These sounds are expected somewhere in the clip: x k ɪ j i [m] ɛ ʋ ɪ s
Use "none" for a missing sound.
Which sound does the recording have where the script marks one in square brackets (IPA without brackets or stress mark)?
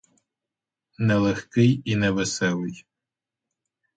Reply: n